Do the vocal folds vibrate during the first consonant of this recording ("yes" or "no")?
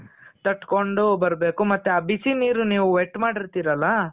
no